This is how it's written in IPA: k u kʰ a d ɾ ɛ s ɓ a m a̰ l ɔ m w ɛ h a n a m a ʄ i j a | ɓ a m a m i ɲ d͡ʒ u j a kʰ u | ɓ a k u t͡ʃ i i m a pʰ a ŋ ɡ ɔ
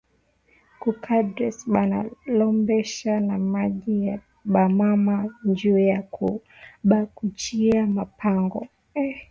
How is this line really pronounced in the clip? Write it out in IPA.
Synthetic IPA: k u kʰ a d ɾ ɛ s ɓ a n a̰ l ɔ m b ɛ ʃ a n a m a ʄ i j a | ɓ a m a m a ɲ d͡ʒ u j a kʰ u | ɓ a k u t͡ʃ i a m a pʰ a ŋ ɡ ɔ